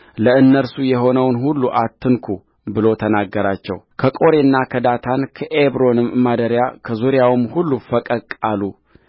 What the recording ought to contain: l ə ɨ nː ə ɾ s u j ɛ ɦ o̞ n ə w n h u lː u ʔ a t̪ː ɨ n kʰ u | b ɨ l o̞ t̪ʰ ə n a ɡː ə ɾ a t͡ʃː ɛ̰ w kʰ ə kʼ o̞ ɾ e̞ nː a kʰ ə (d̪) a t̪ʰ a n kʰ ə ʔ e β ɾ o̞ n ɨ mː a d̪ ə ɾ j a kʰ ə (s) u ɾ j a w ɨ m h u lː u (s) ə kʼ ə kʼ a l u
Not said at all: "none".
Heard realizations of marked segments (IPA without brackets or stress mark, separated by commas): d̪, z, f